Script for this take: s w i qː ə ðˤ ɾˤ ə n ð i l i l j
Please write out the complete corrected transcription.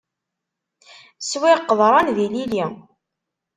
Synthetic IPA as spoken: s w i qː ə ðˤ ɾˤ ɑ n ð i l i l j